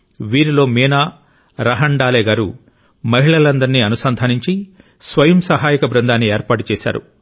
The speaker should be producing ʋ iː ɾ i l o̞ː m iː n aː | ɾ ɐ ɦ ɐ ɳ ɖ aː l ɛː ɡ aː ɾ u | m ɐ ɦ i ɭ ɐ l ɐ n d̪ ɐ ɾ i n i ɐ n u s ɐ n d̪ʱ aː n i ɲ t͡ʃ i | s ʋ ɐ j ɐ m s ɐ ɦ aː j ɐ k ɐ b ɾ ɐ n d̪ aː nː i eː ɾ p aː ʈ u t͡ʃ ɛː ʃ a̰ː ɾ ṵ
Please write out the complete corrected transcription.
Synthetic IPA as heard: ʋ iː ɾ i l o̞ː m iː n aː | ɾ ɐ ɦ ɐ ɳ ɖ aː l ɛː ɡ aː ɾ u | m ɐ ɦ i ɭ ɐ l ɐ n d̪ ɐ ɾ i n i ɐ n u s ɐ n d̪ʱ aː n i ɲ t͡ʃ i | s ʋ ɐ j ɐ m s ɐ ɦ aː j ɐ k ɐ b ɾ ɐ n d̪ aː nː i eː ɾ p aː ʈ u t͡ʃ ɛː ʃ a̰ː ɾ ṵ

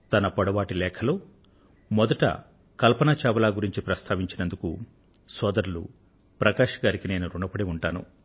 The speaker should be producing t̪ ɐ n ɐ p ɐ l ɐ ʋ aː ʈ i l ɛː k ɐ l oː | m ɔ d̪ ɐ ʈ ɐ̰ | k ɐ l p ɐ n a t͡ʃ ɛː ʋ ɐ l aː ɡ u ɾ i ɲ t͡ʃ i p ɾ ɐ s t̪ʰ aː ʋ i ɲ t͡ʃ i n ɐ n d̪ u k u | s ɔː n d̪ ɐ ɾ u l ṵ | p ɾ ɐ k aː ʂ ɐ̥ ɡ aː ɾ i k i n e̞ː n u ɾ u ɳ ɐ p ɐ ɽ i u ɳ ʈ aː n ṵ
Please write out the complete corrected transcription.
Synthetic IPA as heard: t̪ ɐ n ɐ p ɐ ɽ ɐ ʋ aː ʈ i l ɛː kʰ ɐ l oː | m ɔ d̪ ɐ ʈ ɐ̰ | k ɐ l p ɐ n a t͡ʃ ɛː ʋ ɐ l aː ɡ u ɾ i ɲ t͡ʃ i p ɾ ɐ s t̪ʰ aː ʋ i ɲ t͡ʃ i n ɐ n d̪ u k u | s ɔː d̪ ɐ ɾ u l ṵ | p ɾ ɐ k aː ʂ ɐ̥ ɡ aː ɾ i k i n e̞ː n u ɾ u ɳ ɐ p ɐ ɽ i u ɳ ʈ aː n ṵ

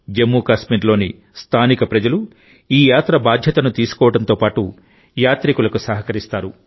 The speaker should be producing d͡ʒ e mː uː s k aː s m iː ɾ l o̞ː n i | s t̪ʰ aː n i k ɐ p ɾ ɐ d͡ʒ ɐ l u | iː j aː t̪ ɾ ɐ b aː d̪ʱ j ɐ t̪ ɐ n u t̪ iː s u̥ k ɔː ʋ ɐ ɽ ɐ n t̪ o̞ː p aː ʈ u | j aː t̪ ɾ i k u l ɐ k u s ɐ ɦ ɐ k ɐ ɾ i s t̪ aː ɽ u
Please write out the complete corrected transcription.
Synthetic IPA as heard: d͡ʒ e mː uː k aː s m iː ɾ l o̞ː n i | s t̪ʰ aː n i k ɐ p ɾ ɐ d͡ʒ ɐ l u | iː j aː t̪ ɾ ɐ b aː d̪ʱ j ɐ t̪ ɐ n u t̪ iː s u̥ k ɔː ʋ ɐ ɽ ɐ n t̪ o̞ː p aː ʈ u | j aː t̪ ɾ i k u l ɐ k u s ɐ ɦ ɐ k ɐ ɾ i s t̪ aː ɾ u

